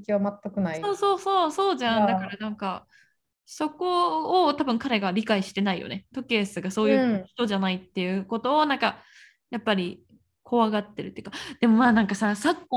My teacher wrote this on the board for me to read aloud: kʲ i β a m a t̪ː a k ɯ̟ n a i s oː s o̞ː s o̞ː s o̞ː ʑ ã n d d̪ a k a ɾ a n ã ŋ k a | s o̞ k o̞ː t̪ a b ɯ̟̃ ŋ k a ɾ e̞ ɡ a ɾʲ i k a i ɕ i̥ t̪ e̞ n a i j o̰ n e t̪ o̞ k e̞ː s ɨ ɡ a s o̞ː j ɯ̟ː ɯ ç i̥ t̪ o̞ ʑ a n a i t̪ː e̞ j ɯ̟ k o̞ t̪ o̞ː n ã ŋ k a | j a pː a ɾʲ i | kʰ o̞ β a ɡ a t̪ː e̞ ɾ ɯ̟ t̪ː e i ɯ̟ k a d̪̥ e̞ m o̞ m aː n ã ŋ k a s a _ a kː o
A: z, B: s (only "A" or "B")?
B